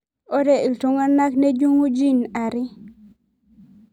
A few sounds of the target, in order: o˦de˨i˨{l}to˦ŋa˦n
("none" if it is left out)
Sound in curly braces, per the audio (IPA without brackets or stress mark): l